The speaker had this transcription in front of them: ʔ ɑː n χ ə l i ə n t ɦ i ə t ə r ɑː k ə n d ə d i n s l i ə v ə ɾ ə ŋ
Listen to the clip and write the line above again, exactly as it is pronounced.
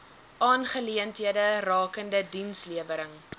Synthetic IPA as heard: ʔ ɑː n χ ə l i ə n t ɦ i ə d ə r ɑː k ə n d ə d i n s l i ə v ə ɾ ə ŋ